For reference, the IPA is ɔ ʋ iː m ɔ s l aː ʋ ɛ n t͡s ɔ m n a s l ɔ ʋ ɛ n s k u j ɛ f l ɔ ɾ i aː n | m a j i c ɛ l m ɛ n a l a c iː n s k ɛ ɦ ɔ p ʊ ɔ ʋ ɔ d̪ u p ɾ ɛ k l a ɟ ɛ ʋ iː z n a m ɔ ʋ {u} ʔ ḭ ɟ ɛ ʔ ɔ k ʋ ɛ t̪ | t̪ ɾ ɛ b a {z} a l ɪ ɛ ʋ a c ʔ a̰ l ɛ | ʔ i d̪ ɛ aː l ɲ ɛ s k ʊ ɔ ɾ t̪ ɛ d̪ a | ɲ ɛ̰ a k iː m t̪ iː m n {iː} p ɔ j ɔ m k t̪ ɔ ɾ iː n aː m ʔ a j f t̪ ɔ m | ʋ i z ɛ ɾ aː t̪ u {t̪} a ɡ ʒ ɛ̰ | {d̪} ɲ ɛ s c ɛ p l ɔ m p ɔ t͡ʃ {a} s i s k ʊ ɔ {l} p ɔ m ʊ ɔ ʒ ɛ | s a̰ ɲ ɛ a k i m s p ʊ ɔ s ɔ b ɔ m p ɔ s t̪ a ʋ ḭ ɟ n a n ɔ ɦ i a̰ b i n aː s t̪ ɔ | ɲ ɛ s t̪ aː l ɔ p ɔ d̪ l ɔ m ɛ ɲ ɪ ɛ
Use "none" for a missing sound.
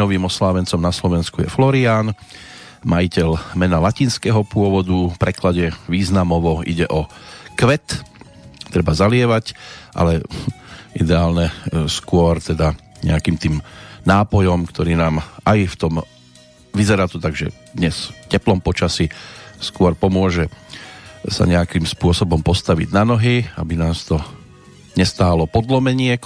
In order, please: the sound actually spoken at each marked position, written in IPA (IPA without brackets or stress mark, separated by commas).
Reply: ɔ, z, aː, t̪, d̪, a, ɾ